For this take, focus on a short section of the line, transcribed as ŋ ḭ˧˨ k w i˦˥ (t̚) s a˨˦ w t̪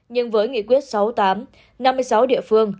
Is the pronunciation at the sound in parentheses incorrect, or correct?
correct